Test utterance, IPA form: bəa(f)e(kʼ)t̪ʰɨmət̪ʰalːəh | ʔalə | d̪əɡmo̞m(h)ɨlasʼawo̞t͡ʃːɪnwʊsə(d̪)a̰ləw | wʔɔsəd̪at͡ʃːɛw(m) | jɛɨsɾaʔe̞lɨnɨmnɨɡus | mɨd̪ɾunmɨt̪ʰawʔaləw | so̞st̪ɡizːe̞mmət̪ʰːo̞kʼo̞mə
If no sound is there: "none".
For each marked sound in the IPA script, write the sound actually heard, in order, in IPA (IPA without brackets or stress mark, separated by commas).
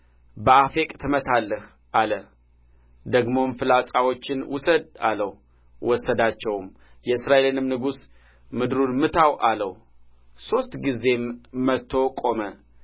f, kʼ, f, d̪, m